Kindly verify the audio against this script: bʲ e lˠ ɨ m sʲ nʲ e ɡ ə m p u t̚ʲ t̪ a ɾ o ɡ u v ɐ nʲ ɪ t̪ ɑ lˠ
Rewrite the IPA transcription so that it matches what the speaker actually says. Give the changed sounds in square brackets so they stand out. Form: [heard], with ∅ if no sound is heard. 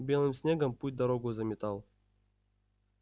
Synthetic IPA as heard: bʲ e lˠ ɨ m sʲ nʲ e ɡ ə m p u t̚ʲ [d̪] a ɾ o ɡ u [z] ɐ [mʲ] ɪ t̪ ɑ lˠ